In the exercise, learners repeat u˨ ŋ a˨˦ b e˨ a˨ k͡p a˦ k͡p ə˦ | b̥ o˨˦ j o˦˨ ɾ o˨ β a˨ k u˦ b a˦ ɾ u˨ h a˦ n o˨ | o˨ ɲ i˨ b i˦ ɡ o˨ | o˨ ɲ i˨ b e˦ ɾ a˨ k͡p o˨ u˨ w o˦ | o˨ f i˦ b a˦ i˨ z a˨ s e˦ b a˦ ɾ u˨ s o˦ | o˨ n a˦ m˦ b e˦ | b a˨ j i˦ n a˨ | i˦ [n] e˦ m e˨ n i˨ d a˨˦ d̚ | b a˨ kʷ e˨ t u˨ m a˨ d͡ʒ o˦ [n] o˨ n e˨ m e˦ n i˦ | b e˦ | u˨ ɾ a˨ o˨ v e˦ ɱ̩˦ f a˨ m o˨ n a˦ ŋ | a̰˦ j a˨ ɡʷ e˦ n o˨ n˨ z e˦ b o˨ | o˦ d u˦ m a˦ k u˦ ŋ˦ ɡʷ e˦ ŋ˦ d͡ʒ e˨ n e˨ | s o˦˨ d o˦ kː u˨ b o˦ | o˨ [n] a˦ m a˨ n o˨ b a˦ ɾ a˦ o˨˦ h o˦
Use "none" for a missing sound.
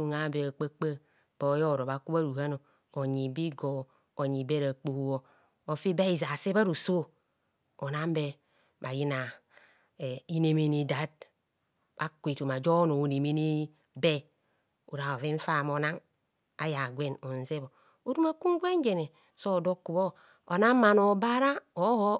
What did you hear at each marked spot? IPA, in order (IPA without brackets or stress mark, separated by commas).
n, n, n